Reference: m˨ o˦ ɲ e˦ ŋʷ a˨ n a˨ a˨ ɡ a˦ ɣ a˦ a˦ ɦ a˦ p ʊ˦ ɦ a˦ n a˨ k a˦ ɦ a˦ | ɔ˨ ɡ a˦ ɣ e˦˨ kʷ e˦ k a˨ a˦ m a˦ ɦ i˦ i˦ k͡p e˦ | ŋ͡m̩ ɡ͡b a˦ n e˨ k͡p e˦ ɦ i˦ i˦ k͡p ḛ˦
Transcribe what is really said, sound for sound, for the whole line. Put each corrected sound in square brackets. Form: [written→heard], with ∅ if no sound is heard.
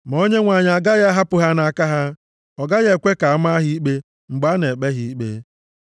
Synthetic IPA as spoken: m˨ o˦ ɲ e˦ ŋʷ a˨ [n→ɲ] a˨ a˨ ɡ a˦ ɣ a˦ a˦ ɦ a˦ p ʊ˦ ɦ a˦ n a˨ k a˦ ɦ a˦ | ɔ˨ ɡ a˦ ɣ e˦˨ kʷ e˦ k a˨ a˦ m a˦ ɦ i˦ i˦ k͡p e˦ | ŋ͡m̩ ɡ͡b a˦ n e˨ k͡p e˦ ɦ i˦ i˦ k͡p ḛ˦